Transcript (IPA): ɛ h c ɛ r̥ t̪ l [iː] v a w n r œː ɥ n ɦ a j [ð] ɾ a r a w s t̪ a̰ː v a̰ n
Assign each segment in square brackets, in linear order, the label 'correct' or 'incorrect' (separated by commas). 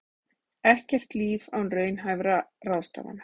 correct, incorrect